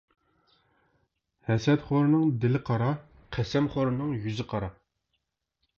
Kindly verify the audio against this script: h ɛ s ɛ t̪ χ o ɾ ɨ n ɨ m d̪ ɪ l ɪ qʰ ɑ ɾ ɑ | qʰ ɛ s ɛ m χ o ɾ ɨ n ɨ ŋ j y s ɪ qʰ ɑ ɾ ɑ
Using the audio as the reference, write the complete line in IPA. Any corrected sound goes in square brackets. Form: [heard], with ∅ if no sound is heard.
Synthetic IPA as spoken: h ɛ s ɛ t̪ χ o ɾ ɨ n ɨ [ŋ] d̪ ɪ l ɪ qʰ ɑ ɾ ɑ | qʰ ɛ s ɛ m χ o ɾ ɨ n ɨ ŋ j y [z] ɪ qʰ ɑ ɾ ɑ